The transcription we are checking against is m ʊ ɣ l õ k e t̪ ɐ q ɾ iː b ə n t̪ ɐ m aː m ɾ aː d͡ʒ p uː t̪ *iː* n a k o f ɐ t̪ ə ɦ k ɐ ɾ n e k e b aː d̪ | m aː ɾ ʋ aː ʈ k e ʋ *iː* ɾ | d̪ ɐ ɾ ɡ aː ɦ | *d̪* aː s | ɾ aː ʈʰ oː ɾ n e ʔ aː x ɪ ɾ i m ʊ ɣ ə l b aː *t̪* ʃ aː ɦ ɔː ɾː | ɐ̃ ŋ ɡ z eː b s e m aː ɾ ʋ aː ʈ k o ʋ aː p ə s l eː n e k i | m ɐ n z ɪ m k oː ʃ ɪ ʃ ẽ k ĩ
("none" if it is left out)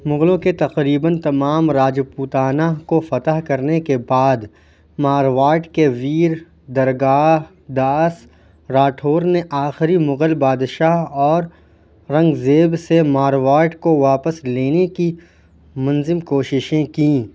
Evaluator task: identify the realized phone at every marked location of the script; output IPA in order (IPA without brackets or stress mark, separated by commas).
aː, iː, d̪, d̪